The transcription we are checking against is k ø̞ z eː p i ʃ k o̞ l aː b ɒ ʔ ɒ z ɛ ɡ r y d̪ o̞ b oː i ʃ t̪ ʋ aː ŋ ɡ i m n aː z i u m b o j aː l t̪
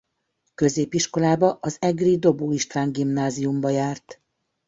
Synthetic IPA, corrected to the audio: k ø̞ z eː p i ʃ k o̞ l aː b ɒ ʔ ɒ z ɛ ɡ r i d̪ o̞ b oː i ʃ t̪ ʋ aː ŋ ɡ i m n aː z i u m b ɒ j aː r t̪